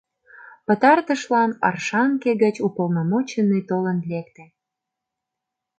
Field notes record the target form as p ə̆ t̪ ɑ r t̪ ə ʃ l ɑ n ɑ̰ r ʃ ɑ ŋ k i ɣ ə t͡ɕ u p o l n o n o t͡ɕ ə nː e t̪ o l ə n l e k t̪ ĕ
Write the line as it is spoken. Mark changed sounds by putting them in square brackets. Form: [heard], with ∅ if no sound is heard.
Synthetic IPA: p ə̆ t̪ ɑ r t̪ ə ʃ l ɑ n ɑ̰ r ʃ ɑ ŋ k [e] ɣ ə t͡ɕ u p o l n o [m] o t͡ɕ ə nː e t̪ o l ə n l e k t̪ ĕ